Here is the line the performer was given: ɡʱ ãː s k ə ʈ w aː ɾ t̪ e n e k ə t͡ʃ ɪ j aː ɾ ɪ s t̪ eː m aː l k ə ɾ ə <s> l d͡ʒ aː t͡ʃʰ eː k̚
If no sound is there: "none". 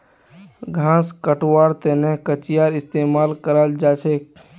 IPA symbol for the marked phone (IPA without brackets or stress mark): none